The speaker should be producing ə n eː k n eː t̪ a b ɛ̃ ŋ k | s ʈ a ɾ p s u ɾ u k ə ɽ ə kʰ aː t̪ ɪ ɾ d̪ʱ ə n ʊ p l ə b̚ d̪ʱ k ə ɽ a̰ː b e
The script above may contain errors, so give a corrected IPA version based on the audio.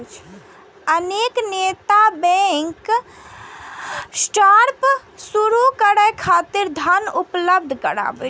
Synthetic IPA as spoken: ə n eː k n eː t̪ a b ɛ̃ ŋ k | s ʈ a ɾ p s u ɾ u k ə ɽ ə kʰ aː t̪ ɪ ɾ d̪ʱ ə n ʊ p l ə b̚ d̪ʱ k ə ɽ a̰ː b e